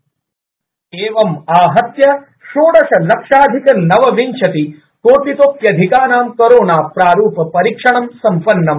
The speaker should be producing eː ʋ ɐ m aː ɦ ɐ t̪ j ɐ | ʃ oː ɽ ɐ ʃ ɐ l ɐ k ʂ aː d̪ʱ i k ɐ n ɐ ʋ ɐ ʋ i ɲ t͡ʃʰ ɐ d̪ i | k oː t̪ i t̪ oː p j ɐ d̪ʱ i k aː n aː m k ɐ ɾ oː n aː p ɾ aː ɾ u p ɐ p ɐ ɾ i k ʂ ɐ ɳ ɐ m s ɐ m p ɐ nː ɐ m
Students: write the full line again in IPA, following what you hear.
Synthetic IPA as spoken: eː ʋ ɐ m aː ɦ ɐ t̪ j ɐ | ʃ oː ɽ ɐ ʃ ɐ l ɐ k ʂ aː d̪ʱ i k ɐ n ɐ ʋ ɐ ʋ i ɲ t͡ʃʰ ɐ t̪ i | k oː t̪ i t̪ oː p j ɐ d̪ʱ i k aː n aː m k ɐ ɾ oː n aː p ɾ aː ɾ uː p ɐ p ɐ ɾ i k ʂ ɐ ɳ ɐ m s ɐ m p ɐ nː ɐ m